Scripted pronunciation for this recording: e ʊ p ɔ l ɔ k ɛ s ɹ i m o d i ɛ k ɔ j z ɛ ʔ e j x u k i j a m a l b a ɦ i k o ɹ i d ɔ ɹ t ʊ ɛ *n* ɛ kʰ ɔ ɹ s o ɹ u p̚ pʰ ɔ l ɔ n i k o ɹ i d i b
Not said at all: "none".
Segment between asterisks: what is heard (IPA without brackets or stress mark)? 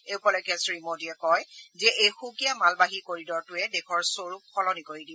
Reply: d